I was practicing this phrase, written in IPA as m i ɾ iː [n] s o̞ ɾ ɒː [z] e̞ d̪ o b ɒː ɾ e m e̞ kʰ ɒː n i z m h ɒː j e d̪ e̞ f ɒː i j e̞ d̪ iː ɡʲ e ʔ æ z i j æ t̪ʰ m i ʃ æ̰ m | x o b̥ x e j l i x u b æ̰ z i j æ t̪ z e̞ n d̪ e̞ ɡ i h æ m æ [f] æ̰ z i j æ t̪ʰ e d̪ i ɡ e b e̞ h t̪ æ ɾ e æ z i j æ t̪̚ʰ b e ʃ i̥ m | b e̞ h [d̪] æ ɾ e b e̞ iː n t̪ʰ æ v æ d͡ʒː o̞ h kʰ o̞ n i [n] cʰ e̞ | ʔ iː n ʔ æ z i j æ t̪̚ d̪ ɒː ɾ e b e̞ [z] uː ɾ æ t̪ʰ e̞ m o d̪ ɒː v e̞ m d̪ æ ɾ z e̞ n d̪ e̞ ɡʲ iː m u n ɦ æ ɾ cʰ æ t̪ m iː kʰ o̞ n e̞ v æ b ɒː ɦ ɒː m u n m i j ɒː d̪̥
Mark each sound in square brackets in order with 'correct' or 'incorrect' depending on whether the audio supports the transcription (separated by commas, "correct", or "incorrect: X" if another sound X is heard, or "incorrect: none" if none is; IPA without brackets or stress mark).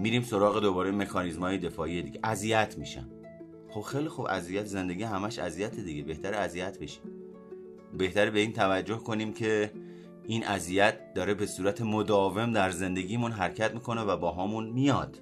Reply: incorrect: m, incorrect: ɣ, incorrect: ʃ, incorrect: t̪, incorrect: m, incorrect: s